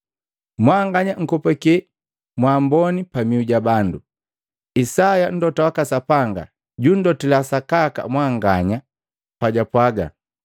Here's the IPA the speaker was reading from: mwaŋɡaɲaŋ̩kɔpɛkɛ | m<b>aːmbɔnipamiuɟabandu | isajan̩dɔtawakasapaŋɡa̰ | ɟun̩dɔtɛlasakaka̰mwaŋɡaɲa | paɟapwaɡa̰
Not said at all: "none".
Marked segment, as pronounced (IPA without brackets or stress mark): w